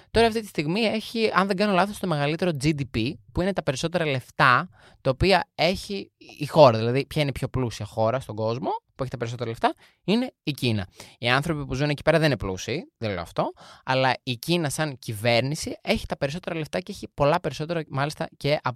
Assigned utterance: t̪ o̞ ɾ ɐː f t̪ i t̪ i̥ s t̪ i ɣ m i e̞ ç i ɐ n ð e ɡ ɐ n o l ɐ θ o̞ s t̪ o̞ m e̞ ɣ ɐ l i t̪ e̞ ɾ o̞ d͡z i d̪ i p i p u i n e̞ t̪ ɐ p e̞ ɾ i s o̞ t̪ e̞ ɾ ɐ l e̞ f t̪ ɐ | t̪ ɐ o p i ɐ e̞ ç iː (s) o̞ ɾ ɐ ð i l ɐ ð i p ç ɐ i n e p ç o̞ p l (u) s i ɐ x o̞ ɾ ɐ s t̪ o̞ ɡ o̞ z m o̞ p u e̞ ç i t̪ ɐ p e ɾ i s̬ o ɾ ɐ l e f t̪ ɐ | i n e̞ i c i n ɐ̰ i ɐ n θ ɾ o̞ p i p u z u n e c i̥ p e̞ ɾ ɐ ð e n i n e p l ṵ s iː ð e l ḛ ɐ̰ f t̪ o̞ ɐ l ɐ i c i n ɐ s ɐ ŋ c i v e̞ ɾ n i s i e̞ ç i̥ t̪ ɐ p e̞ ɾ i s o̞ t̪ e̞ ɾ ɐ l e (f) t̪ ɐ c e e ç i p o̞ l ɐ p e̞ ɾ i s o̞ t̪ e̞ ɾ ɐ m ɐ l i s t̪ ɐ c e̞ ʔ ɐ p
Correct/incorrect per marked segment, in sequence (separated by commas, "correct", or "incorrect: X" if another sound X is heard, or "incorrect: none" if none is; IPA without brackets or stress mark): incorrect: x, correct, correct